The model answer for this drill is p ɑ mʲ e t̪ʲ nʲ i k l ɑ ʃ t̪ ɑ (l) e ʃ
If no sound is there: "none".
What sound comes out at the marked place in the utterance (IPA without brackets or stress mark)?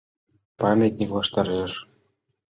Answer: ɾ